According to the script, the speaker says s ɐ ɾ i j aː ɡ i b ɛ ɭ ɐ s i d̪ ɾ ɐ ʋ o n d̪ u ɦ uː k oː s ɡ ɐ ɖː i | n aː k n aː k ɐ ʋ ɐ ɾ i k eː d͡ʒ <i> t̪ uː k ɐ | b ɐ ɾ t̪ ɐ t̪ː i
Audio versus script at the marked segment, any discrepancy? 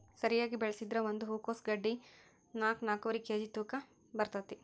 no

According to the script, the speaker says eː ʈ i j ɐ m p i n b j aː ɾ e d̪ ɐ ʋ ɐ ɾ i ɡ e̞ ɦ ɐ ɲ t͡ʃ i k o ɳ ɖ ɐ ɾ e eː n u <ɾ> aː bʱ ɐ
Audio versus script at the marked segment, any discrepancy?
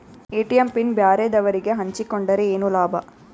yes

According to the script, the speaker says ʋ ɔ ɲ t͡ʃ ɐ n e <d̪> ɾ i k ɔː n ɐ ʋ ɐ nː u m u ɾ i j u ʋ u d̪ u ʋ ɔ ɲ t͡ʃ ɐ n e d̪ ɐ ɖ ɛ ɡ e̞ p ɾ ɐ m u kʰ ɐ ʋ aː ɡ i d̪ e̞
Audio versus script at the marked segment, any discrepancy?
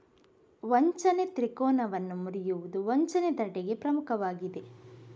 yes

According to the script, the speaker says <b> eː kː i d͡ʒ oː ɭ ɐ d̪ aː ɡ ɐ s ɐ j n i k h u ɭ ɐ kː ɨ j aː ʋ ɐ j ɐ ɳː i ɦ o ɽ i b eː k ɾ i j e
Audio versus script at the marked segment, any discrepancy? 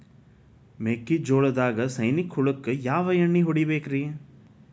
yes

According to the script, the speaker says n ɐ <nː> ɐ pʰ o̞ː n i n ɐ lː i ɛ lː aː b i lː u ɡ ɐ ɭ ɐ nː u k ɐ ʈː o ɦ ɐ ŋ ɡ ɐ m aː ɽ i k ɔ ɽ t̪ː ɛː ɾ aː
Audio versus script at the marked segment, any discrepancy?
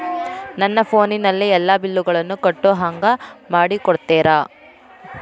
no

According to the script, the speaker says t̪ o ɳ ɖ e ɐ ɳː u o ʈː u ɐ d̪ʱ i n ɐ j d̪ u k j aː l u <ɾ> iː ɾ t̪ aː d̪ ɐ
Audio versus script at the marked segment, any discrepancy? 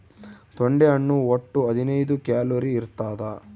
no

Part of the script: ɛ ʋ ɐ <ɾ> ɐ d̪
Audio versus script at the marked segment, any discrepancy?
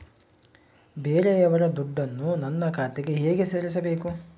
no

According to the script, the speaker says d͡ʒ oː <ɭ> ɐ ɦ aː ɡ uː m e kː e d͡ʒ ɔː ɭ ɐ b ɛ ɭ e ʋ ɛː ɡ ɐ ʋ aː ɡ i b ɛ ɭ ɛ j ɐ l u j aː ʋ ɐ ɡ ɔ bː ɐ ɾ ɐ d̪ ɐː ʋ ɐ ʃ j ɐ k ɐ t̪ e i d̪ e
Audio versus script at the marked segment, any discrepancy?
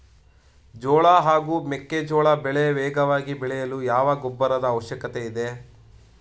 no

